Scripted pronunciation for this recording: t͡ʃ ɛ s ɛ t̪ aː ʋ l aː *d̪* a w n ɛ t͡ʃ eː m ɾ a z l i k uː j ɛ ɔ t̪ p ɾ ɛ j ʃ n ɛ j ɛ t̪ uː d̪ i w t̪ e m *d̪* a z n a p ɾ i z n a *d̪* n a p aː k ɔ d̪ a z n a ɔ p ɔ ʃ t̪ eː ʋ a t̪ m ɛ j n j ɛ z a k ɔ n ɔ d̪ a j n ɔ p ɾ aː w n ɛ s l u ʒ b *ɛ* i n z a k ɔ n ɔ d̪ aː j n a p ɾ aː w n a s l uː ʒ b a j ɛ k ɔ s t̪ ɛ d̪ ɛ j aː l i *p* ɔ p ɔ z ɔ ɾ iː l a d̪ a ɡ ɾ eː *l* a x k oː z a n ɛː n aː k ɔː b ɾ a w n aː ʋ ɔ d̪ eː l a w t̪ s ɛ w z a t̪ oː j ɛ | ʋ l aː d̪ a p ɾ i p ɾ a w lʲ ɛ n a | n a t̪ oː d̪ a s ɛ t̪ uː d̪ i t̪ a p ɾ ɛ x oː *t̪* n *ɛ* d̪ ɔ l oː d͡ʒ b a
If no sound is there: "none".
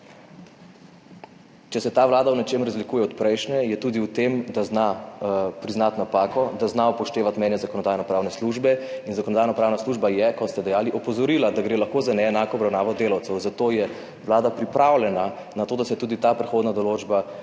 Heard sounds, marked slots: d̪, d̪, t̪, ɛ, ʔ, l, d̪, a

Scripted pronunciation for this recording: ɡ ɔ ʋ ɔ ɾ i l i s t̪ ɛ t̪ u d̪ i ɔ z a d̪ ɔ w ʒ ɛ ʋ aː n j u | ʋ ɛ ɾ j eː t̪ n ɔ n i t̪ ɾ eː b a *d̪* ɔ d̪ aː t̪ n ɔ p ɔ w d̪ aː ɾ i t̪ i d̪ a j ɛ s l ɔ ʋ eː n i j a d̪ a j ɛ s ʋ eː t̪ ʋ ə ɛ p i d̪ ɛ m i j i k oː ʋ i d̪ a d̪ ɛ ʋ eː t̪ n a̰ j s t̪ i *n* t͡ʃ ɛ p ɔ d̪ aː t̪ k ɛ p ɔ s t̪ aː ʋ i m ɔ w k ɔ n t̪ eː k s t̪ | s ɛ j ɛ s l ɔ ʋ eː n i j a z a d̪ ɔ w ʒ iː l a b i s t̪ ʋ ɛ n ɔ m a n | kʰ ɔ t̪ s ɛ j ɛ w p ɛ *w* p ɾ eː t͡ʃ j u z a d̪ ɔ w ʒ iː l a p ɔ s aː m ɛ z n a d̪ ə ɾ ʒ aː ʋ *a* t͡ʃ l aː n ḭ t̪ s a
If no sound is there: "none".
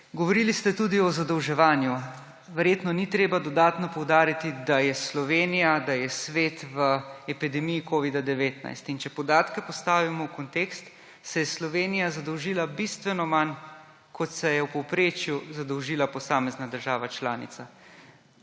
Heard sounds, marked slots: d̪, n, w, a

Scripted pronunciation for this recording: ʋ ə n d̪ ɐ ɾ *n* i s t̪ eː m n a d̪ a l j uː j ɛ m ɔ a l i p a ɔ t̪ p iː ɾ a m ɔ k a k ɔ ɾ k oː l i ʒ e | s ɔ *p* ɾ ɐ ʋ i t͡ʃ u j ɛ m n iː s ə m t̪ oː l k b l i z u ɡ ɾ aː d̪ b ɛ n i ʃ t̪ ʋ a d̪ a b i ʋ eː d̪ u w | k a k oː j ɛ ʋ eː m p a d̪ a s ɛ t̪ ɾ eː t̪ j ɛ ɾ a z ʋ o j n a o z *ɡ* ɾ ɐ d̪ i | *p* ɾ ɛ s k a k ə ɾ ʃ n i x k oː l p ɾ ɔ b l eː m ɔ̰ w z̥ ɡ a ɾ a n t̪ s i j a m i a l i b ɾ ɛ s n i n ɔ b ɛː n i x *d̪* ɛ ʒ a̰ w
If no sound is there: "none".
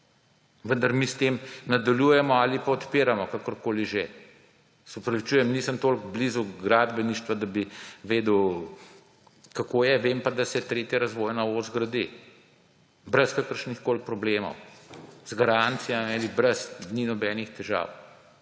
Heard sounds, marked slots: m, p, ɡ, b, t̪

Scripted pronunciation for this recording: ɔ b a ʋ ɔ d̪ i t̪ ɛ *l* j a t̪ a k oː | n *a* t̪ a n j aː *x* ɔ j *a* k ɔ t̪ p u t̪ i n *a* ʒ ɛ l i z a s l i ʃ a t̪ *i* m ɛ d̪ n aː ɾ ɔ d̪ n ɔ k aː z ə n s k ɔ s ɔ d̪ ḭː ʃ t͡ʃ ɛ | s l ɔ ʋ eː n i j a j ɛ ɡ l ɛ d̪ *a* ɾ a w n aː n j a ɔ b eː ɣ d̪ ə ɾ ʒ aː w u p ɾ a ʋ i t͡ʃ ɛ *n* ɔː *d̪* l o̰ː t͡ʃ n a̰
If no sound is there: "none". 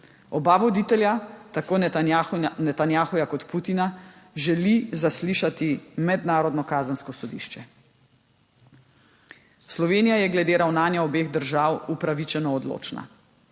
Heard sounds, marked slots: l, ɛ, x, a, a, i, e, n, d̪

